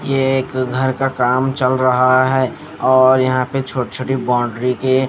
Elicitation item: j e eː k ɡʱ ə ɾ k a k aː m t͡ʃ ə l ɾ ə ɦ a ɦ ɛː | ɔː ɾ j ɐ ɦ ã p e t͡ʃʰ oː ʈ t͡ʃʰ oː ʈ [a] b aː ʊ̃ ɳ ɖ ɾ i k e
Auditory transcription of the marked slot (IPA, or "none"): i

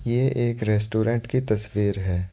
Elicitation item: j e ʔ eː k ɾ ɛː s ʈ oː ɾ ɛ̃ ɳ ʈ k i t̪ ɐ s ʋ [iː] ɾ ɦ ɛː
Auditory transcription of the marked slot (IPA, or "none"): iː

